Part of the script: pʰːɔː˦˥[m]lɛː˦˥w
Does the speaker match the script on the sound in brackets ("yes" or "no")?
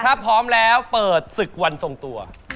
yes